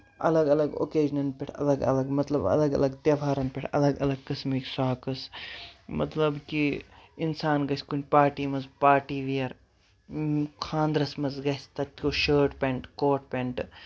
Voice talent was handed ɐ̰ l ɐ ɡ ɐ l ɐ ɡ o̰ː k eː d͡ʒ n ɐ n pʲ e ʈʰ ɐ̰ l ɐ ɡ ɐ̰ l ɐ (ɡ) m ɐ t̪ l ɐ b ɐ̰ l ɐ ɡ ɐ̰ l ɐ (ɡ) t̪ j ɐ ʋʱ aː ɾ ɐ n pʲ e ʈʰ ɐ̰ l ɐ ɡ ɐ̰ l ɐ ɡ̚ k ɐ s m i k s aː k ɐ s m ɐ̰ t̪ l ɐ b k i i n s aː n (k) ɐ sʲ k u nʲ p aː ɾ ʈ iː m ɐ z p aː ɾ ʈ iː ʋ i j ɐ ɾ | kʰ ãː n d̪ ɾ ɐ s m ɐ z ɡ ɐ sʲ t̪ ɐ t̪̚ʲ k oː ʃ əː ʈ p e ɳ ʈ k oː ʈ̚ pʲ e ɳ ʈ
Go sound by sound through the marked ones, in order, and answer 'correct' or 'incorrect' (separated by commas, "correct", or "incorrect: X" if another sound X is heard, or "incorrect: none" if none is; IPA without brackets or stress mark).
correct, correct, incorrect: ɡ